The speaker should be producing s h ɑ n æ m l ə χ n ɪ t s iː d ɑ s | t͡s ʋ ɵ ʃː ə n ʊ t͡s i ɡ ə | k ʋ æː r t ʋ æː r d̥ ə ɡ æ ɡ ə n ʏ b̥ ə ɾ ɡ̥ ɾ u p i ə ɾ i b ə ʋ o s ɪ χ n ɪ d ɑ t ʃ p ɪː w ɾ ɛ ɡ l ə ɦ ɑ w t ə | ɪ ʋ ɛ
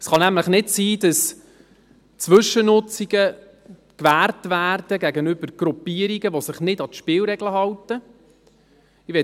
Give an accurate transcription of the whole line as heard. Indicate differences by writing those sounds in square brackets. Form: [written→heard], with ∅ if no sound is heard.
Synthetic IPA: s [h→χ] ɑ n æ m l ə χ n ɪ t s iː d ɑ s | t͡s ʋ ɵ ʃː ə n ʊ t͡s i ɡ ə | k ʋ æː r t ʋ æː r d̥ ə ɡ æ ɡ ə n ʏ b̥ ə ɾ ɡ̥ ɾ u p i ə ɾ i [b→ɡ] ə ʋ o s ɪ χ n ɪ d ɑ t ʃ p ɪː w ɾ ɛ ɡ l ə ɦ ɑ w t ə | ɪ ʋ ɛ